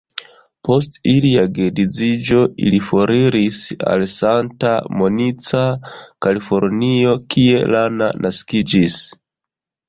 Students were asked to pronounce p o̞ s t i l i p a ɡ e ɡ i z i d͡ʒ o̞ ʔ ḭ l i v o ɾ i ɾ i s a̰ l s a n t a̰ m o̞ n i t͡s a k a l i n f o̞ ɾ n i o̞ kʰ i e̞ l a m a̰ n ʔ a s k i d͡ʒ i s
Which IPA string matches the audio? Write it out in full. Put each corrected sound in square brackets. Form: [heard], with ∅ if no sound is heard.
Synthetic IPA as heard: p o̞ s t i l i [∅] a ɡ e [d] i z i d͡ʒ o̞ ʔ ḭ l i [f] o ɾ i ɾ i s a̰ l s a n t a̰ m o̞ n i t͡s a k a l i [∅] f o̞ ɾ n i o̞ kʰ i e̞ l a [n] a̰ n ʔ a s k i d͡ʒ i s